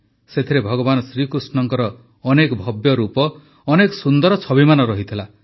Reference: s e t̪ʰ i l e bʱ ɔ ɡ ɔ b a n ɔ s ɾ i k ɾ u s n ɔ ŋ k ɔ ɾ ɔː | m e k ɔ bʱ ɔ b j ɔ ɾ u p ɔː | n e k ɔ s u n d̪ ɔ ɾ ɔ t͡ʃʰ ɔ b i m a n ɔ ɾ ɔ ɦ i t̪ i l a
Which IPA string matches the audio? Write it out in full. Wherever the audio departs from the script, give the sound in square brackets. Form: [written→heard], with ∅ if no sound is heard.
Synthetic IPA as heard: s e t̪ʰ i [l→ɾ] e bʱ ɔ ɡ ɔ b a n ɔ s ɾ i k ɾ u s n ɔ ŋ k ɔ ɾ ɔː | [m→n] e k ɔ bʱ ɔ b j ɔ ɾ u p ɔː | n e k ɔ s u n d̪ ɔ ɾ ɔ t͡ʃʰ ɔ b i m a n ɔ ɾ ɔ ɦ i [t̪→t̪ʰ] i l a